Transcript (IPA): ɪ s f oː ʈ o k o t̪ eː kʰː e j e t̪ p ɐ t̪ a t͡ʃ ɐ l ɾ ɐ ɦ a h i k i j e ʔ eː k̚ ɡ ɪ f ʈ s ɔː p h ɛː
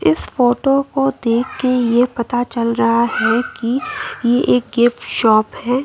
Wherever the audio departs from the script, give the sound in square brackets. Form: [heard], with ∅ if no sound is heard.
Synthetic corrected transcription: ɪ s f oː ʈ o k o [d̪] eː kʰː e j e [∅] p ɐ t̪ a t͡ʃ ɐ l ɾ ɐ ɦ a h [ɛ] k i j e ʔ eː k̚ ɡ ɪ f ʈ [ʃ] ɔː p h ɛː